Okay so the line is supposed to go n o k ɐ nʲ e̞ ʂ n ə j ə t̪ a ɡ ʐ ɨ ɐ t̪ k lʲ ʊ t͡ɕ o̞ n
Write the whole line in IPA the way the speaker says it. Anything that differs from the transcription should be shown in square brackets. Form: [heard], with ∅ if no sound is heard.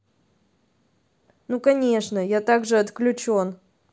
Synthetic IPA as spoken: n [u] k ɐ nʲ e̞ ʂ n ə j [a] t̪ a ɡ ʐ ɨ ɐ t̪ k lʲ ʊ t͡ɕ o̞ n